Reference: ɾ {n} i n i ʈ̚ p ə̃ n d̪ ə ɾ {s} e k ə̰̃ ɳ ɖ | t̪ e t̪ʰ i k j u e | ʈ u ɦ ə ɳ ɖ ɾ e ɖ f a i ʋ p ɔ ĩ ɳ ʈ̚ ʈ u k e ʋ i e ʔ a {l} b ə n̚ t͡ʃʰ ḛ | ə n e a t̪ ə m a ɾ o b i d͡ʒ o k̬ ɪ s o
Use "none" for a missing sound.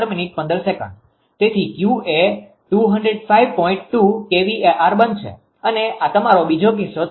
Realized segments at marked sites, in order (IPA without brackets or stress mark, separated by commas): m, s, ɾ